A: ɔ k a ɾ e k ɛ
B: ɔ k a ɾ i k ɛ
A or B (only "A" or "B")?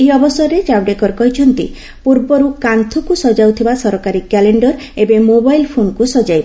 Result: B